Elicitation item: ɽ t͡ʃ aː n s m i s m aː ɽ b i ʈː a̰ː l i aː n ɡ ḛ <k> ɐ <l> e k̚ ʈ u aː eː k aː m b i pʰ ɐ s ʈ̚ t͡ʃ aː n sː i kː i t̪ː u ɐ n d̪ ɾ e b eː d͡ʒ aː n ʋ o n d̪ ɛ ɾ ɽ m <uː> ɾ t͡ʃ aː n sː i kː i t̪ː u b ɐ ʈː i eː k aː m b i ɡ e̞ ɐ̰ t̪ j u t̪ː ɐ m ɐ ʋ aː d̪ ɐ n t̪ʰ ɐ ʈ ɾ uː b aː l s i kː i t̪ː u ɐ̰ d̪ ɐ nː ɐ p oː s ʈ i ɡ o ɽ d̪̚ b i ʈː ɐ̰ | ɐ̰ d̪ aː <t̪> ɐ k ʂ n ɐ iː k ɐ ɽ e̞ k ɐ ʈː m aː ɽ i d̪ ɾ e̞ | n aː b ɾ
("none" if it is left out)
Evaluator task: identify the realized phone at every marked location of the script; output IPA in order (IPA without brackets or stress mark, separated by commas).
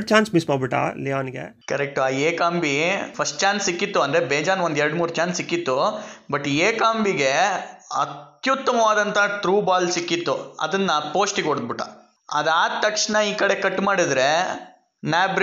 k, ɾ, uː, t̪